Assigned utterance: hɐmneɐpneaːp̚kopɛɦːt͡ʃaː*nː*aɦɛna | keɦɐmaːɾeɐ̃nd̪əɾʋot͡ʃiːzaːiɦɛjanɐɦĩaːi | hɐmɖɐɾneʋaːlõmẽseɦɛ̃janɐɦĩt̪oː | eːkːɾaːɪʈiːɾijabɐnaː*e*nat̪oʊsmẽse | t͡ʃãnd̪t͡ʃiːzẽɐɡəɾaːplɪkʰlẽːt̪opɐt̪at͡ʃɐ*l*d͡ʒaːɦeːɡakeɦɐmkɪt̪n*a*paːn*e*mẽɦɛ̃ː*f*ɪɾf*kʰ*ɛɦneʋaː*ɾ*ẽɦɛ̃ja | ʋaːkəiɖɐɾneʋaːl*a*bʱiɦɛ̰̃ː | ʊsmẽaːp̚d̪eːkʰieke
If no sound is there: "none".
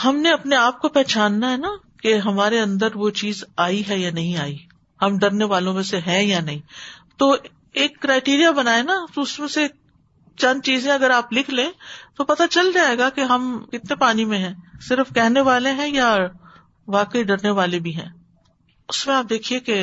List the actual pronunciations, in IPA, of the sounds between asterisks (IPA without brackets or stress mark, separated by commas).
nː, e, l, e, i, s, k, l, e